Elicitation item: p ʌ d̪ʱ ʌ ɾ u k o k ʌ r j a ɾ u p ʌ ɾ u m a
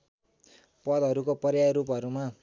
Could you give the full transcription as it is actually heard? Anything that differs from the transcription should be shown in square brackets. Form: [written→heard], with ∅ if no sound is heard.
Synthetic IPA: p ʌ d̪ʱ ʌ ɾ u k o [k→p] ʌ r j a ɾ u p ʌ ɾ u m a